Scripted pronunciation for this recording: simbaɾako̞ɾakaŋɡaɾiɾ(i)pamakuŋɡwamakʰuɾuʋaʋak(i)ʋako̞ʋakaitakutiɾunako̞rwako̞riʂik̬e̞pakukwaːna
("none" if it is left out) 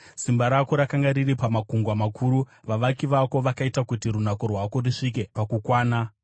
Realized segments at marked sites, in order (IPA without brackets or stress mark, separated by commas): i, i